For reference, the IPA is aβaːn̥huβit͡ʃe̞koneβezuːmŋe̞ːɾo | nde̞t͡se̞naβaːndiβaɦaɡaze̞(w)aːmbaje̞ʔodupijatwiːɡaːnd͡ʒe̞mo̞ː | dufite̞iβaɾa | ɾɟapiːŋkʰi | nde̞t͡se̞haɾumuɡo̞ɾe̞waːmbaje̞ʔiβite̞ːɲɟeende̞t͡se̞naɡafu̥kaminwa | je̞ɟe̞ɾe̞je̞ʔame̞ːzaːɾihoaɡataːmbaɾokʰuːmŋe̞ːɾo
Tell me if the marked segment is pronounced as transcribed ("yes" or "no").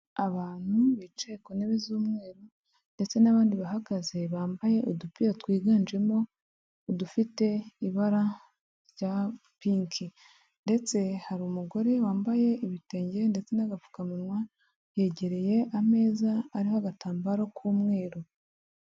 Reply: no